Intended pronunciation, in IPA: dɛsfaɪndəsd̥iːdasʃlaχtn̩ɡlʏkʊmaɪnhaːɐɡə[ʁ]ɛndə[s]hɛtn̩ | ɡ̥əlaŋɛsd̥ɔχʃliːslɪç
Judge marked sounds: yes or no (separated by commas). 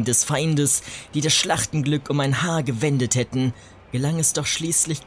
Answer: no, no